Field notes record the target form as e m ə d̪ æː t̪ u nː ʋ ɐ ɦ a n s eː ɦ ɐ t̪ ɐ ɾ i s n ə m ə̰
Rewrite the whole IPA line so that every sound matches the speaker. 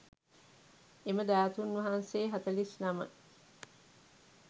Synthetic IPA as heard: e m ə d̪ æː t̪ u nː ʋ ɐ ɦ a n s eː ɦ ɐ t̪ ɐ l i s n ɐ m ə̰